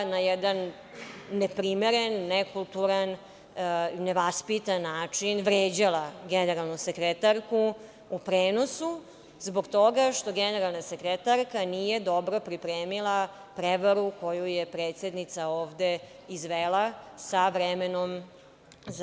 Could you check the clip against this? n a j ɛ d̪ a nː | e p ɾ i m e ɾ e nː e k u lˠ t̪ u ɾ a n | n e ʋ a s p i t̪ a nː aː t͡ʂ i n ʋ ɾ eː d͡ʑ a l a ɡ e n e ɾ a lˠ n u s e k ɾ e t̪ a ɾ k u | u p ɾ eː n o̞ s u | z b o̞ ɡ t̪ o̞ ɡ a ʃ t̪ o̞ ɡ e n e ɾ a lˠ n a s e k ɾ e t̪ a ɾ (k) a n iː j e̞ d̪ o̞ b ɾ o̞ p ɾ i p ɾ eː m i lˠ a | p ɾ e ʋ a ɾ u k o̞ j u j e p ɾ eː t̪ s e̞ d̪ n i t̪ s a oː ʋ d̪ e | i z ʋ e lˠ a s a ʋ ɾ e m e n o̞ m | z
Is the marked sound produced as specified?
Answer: yes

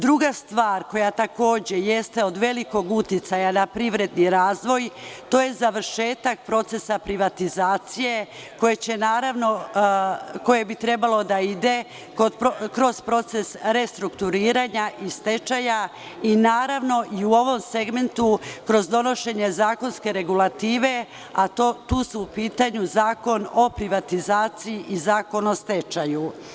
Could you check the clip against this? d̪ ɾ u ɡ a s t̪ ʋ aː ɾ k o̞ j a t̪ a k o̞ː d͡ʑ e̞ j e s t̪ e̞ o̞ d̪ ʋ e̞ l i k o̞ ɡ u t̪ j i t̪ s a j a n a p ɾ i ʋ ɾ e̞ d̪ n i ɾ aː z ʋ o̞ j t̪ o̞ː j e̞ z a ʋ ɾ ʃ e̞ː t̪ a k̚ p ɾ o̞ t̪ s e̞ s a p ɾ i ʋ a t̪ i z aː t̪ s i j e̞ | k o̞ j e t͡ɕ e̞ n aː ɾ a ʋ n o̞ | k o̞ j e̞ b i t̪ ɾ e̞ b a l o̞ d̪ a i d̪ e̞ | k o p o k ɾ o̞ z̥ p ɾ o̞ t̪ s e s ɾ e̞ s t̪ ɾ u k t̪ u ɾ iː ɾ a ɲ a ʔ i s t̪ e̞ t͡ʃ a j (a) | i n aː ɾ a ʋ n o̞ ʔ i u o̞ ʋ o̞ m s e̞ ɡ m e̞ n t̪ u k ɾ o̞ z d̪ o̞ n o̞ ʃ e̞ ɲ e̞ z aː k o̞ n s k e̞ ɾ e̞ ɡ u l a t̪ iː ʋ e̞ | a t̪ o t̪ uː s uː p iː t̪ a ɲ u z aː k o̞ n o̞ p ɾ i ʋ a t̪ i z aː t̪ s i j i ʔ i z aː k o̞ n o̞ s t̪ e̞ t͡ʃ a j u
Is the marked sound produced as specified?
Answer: yes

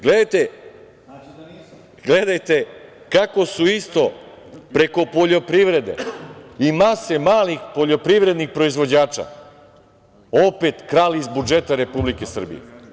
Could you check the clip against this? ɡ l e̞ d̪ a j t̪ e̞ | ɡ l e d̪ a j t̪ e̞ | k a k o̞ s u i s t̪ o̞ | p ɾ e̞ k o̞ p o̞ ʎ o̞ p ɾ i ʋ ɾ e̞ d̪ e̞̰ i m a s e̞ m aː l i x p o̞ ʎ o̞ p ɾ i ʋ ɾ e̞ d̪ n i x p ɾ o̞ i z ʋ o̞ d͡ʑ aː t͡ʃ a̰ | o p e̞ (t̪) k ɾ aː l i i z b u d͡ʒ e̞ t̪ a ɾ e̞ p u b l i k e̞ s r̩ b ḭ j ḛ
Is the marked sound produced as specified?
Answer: yes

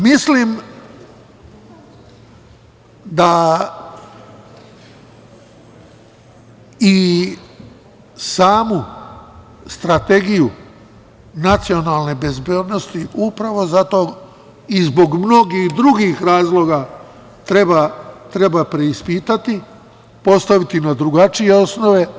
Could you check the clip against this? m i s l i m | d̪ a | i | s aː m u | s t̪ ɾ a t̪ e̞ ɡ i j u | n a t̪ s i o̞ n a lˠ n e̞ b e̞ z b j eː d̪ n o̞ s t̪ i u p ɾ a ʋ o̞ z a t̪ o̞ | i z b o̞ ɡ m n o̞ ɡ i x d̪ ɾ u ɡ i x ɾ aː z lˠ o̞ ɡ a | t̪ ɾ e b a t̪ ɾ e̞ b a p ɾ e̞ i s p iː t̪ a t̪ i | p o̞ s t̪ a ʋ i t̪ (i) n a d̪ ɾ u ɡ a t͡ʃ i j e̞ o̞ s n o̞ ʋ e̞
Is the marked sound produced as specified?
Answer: yes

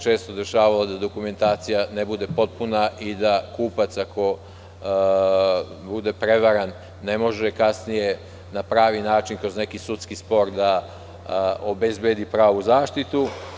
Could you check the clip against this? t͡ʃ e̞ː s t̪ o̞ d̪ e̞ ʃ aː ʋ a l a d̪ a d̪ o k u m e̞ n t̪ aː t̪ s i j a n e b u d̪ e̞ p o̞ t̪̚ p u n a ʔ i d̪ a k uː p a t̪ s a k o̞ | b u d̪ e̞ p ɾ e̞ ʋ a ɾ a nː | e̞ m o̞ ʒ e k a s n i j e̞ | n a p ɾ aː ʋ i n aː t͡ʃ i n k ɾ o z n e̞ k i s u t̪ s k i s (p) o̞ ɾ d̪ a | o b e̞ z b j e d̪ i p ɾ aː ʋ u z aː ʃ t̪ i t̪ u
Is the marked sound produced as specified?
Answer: yes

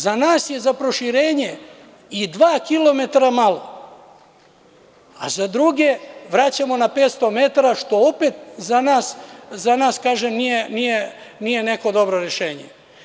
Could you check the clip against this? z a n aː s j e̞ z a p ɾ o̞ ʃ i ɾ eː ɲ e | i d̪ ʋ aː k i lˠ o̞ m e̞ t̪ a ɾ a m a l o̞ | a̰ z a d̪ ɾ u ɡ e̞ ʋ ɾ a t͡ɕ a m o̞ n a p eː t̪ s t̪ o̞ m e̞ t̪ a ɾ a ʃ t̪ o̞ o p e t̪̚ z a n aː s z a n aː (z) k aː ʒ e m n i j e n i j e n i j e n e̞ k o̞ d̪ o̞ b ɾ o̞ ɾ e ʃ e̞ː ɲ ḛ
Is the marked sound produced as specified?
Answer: no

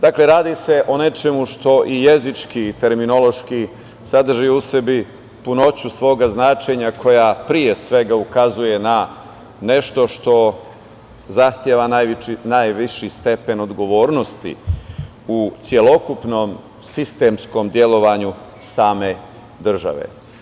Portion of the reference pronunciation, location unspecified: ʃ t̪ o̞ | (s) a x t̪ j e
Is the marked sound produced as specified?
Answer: no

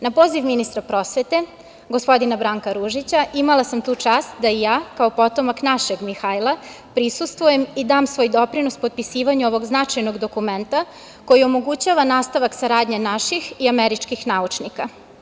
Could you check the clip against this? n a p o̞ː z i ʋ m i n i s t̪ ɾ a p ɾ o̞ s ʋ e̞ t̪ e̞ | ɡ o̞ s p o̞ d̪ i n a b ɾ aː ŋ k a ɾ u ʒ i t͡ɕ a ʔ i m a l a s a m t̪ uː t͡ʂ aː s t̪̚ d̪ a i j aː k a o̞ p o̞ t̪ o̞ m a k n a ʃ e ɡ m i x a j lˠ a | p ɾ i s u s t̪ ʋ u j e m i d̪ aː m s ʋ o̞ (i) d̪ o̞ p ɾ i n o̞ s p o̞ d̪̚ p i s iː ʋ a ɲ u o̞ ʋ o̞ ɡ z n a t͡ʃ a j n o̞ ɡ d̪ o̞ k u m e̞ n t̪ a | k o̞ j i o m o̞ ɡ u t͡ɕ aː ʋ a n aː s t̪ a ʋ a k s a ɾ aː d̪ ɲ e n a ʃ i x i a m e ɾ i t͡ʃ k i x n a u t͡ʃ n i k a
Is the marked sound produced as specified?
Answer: no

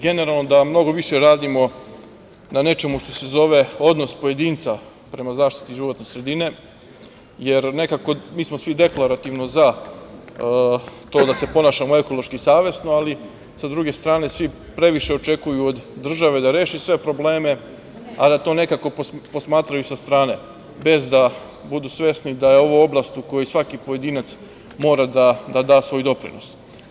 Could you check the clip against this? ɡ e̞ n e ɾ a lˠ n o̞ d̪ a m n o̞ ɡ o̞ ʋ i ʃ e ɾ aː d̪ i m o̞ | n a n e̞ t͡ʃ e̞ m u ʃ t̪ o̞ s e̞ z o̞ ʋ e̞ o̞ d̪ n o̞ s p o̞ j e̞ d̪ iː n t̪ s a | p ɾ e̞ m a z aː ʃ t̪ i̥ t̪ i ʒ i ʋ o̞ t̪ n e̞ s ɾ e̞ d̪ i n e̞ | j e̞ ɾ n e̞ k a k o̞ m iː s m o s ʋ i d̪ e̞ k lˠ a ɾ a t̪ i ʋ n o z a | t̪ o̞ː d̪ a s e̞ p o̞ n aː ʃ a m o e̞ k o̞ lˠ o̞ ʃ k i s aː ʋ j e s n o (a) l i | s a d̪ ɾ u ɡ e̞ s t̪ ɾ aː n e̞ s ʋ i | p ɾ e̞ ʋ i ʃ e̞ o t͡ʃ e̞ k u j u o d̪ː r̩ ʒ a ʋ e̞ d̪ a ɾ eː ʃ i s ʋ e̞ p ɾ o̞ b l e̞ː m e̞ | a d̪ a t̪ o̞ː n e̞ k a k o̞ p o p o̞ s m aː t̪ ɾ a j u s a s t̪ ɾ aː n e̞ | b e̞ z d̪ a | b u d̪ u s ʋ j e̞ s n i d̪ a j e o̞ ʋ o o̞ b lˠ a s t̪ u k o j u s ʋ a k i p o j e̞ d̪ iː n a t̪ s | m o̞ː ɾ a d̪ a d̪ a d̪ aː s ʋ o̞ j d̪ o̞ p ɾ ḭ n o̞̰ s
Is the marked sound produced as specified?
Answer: yes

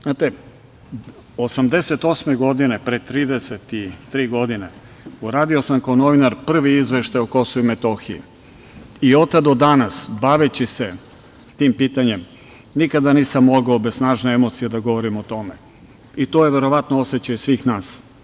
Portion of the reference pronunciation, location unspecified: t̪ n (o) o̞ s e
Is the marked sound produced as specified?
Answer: yes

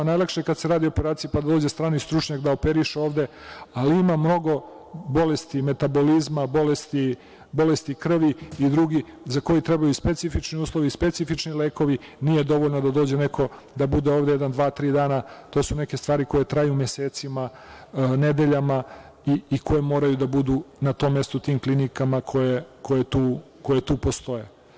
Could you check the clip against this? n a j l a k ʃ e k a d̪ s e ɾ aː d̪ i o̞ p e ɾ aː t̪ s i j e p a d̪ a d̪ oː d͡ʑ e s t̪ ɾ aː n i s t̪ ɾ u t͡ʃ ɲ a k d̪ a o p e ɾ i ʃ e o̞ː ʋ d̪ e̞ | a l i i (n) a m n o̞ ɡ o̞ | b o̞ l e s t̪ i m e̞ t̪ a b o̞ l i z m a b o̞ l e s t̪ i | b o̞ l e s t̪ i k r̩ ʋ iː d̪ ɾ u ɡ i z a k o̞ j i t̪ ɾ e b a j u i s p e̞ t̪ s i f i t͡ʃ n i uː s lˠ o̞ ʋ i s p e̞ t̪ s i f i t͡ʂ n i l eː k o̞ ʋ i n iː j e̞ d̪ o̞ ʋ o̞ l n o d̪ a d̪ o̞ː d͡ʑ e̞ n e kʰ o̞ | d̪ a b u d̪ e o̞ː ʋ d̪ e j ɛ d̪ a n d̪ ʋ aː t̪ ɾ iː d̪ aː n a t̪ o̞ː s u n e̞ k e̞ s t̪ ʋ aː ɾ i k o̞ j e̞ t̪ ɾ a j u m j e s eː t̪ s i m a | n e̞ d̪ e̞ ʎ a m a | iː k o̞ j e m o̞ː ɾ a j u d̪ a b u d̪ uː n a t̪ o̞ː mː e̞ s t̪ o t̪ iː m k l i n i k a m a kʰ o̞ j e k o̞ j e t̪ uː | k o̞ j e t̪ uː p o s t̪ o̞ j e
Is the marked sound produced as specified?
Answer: no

